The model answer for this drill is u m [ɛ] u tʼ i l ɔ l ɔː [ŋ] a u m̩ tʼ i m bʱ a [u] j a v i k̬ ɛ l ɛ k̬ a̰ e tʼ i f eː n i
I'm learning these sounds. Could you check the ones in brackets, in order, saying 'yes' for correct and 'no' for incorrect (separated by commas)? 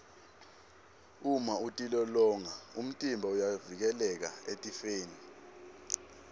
no, yes, yes